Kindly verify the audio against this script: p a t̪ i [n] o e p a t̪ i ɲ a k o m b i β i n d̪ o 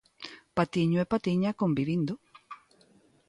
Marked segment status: incorrect: ɲ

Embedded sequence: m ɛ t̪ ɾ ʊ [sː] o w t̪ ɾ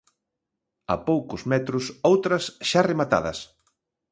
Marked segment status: incorrect: s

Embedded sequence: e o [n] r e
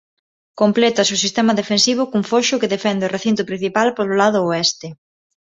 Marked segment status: incorrect: none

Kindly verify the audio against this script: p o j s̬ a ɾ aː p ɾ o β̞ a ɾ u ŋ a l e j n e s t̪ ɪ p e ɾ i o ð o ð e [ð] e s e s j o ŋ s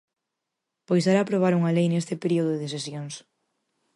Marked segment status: correct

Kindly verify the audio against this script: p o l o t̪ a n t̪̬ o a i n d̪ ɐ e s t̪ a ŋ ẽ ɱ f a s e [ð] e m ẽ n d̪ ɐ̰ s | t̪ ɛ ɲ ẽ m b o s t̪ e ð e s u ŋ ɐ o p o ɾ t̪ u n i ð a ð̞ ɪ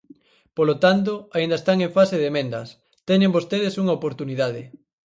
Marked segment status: correct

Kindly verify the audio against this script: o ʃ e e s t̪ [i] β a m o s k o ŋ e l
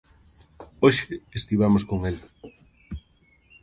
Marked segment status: correct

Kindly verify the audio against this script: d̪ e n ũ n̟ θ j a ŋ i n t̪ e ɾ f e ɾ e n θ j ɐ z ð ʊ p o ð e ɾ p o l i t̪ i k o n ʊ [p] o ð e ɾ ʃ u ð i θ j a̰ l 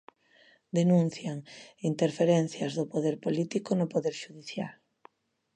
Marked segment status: correct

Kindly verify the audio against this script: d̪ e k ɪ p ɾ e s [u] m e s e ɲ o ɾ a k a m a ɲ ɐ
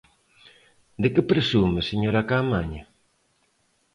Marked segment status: correct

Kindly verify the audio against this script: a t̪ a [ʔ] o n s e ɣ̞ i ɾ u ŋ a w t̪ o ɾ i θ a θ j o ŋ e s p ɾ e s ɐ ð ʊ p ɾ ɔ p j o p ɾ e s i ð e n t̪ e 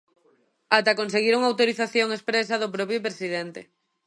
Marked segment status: incorrect: k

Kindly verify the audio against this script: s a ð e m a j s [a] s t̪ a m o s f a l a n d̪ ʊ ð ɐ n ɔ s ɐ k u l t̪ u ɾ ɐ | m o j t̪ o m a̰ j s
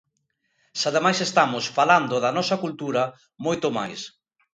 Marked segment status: incorrect: e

